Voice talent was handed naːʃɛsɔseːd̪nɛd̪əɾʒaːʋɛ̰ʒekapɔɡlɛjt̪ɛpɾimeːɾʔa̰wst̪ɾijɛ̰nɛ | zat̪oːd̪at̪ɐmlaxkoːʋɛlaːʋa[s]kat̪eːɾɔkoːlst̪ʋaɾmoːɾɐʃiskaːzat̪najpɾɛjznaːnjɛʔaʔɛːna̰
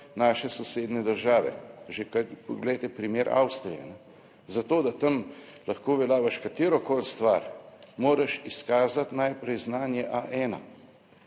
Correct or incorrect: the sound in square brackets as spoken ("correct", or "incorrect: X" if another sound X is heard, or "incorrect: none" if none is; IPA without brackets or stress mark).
incorrect: ʃ